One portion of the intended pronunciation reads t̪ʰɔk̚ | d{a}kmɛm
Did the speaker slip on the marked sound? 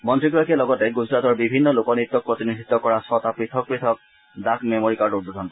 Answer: no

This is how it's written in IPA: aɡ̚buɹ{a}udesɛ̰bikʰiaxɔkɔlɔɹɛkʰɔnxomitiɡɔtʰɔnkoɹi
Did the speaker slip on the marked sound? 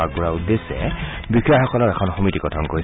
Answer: no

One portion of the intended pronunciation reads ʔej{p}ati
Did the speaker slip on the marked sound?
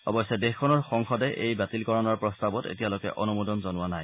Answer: yes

